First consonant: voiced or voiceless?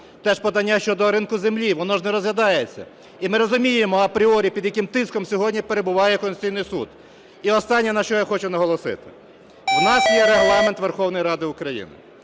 voiceless